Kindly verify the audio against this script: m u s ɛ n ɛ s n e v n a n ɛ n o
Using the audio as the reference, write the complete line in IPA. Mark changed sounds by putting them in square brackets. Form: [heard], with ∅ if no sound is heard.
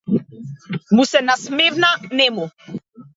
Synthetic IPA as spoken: m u s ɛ n [a] s [m] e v n a n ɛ [m] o